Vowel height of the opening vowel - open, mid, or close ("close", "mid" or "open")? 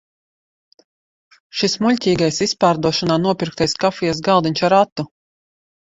close